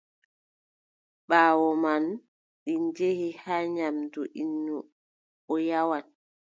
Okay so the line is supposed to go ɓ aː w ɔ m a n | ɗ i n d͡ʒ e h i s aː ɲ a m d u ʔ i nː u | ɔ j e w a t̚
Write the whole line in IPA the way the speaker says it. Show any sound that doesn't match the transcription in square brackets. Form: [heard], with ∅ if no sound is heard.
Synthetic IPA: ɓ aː w ɔ m a n | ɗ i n d͡ʒ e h i [h] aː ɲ a m d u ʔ i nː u | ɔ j [a] w a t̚